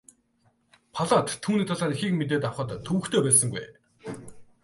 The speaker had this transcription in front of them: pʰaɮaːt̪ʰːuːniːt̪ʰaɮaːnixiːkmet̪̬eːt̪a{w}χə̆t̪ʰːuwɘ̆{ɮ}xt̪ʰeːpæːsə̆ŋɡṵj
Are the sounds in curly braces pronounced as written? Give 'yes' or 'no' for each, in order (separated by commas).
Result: yes, no